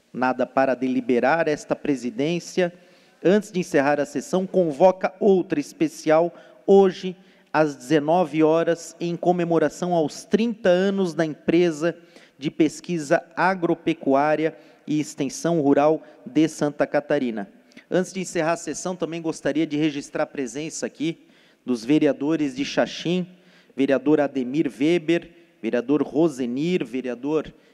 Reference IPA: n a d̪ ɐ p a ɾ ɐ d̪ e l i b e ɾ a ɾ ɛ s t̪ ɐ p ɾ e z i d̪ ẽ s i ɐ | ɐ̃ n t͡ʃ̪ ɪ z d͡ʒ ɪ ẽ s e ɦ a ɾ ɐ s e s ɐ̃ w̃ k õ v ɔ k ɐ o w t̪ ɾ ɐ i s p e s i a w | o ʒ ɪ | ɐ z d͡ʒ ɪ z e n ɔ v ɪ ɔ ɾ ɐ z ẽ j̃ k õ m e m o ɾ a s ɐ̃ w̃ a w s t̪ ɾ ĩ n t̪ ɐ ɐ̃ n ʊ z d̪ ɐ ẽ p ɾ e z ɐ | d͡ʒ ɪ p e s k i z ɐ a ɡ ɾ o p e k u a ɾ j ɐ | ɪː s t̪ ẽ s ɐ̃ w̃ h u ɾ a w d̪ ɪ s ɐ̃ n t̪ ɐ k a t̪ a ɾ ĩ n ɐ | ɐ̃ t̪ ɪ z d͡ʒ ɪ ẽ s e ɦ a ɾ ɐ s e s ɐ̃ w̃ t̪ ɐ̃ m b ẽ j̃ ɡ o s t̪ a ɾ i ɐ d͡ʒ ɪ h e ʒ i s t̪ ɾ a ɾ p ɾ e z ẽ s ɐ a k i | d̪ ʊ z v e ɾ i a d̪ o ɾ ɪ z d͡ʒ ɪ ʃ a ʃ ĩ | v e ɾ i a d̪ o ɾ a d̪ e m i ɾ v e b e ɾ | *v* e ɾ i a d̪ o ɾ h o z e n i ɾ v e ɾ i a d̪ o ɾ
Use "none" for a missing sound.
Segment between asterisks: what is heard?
v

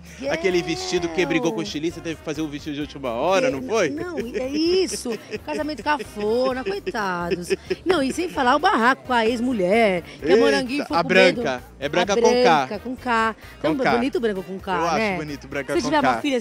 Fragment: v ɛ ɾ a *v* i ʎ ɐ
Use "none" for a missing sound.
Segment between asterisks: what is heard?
f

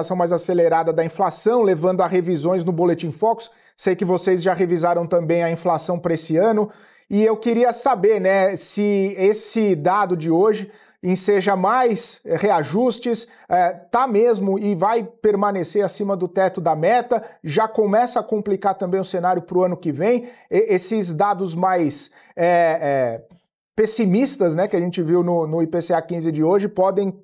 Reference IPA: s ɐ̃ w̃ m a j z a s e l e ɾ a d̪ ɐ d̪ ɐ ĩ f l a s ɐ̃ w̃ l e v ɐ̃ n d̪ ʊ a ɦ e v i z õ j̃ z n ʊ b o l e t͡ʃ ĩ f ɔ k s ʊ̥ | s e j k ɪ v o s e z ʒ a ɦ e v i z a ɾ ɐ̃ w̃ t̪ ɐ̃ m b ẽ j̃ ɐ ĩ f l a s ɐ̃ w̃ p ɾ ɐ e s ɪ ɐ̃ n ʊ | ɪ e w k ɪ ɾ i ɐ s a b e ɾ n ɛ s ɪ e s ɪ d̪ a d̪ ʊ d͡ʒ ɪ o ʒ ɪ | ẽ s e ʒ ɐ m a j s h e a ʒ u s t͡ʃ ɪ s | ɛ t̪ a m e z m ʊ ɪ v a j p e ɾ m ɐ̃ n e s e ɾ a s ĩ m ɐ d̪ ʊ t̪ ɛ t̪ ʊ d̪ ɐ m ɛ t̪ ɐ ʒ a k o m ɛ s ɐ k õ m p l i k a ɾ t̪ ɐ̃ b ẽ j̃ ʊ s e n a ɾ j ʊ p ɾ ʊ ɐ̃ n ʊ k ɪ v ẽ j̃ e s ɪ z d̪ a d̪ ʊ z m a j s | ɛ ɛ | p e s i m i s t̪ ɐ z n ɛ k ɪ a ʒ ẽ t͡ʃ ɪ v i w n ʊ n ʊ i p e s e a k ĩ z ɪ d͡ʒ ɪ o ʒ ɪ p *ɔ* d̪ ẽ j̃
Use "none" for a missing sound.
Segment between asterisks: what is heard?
ɔ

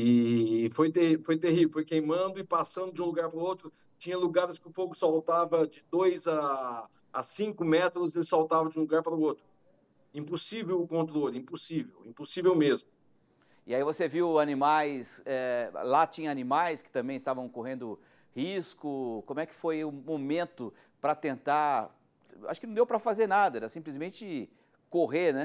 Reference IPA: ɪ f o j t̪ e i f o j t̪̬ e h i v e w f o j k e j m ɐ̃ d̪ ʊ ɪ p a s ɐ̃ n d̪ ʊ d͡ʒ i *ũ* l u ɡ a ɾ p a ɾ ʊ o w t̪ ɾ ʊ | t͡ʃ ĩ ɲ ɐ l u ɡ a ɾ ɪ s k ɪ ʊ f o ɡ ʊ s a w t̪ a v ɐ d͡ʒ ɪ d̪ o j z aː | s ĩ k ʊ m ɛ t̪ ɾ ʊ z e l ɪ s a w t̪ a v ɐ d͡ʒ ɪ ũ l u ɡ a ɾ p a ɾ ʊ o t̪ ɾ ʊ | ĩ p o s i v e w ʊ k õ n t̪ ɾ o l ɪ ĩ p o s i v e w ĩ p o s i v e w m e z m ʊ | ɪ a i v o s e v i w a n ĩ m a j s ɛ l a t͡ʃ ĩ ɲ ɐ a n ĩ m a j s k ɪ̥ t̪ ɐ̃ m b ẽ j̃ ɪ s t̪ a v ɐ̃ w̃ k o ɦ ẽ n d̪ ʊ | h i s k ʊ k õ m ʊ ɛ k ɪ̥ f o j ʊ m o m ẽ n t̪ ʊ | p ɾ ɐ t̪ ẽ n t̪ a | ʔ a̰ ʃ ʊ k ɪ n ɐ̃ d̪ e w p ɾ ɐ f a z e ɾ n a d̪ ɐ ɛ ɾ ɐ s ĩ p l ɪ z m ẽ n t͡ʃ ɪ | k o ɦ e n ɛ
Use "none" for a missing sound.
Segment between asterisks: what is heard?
ũ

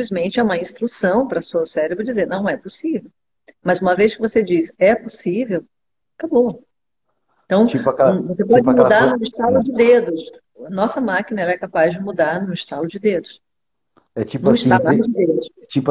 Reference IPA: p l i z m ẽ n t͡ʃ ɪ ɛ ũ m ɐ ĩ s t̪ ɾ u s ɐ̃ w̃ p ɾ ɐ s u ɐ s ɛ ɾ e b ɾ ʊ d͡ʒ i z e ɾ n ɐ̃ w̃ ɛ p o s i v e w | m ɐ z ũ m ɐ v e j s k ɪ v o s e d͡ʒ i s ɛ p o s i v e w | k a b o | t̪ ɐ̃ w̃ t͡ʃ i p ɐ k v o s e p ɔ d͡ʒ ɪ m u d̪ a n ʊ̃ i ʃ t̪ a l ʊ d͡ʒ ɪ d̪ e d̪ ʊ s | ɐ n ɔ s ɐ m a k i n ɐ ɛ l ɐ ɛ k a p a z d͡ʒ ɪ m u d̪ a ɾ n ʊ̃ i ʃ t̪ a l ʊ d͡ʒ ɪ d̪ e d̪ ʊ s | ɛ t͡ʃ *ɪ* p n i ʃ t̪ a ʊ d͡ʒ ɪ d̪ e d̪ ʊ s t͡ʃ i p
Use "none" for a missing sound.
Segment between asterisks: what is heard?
i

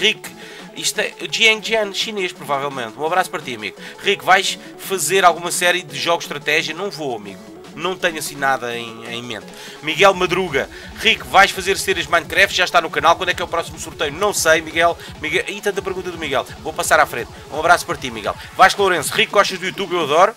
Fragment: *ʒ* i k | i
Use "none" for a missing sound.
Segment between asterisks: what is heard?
ʁ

